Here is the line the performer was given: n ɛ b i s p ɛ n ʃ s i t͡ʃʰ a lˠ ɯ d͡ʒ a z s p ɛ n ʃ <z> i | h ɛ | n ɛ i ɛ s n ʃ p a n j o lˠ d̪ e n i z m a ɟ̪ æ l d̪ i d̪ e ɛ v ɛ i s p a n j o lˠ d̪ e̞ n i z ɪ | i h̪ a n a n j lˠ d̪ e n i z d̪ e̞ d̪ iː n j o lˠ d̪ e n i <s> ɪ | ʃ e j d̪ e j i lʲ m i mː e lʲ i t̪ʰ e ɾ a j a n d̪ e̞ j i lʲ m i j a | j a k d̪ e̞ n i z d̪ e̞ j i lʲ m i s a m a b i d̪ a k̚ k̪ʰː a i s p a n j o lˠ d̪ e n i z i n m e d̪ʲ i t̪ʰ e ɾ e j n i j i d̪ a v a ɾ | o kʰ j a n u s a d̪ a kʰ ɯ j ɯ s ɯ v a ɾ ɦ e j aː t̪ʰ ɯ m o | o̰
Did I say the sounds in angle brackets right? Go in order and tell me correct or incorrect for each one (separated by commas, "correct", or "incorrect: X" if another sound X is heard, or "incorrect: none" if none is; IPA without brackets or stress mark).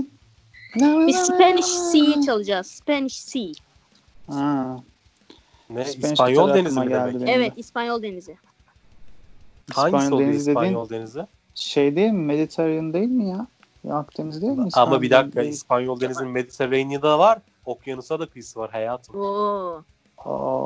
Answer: incorrect: s, incorrect: z